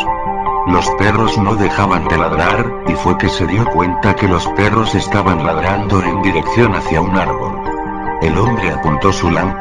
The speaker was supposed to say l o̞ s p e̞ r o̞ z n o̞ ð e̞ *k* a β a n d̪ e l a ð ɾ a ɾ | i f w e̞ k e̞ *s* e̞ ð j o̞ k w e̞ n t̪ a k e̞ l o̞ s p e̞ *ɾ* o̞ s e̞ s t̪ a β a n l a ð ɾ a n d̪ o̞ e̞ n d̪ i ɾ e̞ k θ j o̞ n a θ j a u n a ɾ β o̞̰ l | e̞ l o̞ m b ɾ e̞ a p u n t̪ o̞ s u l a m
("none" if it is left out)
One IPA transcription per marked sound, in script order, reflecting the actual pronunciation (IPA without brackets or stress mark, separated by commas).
x, s, r